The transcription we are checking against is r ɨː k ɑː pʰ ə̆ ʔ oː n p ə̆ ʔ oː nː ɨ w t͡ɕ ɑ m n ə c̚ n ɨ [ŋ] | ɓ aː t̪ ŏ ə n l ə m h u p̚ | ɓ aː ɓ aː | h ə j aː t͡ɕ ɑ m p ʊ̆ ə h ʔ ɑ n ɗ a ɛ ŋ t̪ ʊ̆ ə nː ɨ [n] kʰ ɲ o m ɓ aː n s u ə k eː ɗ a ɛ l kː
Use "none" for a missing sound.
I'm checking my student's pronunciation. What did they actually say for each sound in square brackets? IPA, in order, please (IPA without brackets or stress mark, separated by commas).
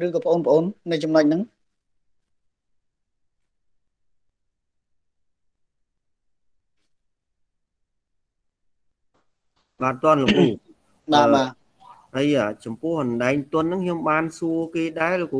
ŋ, ŋ